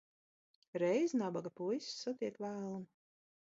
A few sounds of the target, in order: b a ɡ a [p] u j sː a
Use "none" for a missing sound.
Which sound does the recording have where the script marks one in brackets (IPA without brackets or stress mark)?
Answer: p